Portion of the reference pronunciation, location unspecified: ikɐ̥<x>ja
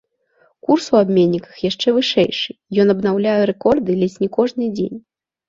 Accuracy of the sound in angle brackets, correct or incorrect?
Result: correct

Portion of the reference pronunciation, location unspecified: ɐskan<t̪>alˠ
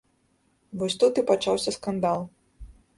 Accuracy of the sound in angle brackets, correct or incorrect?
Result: incorrect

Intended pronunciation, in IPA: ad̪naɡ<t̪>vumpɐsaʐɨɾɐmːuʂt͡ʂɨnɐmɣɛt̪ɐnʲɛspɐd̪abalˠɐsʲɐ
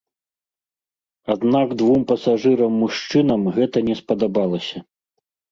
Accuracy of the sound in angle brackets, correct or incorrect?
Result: incorrect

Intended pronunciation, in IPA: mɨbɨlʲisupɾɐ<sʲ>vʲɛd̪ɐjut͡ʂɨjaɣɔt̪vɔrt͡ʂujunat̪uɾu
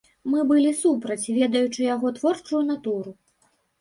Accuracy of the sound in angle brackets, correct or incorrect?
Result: incorrect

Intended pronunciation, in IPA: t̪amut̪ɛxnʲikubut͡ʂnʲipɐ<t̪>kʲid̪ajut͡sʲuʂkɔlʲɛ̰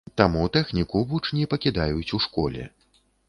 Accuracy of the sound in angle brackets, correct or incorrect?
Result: incorrect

